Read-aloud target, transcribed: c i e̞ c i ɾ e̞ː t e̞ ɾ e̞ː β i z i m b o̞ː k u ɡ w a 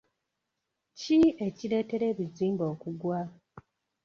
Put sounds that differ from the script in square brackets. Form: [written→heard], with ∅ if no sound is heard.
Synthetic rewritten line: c i e̞ c i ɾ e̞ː t e̞ ɾ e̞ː β i z [i→iː] m b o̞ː k u ɡ w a